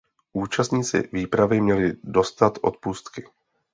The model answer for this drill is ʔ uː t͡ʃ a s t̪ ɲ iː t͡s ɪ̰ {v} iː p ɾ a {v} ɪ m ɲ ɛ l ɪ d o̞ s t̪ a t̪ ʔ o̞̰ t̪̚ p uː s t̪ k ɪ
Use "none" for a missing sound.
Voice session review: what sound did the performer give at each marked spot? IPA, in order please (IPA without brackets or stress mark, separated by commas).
v, v